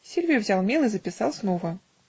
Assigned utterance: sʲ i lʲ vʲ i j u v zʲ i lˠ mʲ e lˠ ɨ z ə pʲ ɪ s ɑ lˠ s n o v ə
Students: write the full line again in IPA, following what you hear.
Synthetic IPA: sʲ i lʲ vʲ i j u v zʲ a lˠ mʲ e lˠ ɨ z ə pʲ ɪ s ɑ lˠ s n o v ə